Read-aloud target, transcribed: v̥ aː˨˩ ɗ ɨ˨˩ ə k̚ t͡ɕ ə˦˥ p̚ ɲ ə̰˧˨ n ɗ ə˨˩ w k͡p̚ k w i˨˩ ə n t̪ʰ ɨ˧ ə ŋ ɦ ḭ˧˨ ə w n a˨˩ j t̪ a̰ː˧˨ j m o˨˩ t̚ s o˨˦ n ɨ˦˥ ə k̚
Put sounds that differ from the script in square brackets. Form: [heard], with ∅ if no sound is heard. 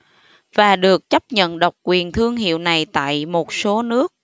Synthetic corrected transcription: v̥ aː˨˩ ɗ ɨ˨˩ ə k̚ t͡ɕ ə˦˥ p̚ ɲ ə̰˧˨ n ɗ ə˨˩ w k͡p̚ k w i˨˩ ə n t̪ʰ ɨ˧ ə ŋ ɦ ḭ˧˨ ə w n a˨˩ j t̪ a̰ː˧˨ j m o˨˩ t̚ s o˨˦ n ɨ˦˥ ə k̚